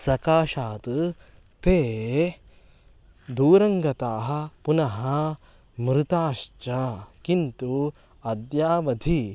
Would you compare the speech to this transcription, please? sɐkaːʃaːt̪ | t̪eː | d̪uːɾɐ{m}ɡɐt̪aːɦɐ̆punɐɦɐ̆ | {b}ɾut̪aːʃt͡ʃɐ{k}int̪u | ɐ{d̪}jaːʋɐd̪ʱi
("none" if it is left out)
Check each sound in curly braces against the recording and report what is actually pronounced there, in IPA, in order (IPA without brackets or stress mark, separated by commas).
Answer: ŋ, m, k, d̪